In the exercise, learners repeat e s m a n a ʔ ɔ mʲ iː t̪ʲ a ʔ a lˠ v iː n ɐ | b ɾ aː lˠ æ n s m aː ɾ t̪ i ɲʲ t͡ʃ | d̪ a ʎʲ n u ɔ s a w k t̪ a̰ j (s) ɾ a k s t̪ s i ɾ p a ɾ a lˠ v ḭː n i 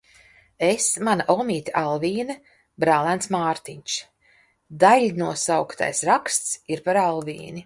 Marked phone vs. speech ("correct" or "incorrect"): correct